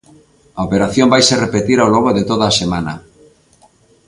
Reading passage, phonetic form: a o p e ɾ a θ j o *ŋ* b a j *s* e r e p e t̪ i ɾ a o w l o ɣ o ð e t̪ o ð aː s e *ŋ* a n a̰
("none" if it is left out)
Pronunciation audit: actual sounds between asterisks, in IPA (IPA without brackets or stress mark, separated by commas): m, s, m